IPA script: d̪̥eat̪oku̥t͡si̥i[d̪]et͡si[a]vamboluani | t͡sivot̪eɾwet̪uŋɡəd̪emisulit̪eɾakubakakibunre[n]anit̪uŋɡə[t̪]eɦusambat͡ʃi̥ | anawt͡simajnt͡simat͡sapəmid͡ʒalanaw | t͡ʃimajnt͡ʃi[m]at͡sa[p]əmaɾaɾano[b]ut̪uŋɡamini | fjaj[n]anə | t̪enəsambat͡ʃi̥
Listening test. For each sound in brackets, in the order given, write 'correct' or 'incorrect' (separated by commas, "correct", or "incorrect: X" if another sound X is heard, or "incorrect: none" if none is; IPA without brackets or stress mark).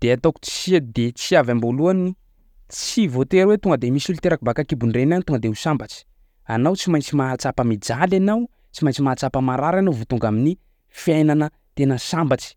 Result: correct, correct, correct, incorrect: d̪, correct, correct, incorrect: v, correct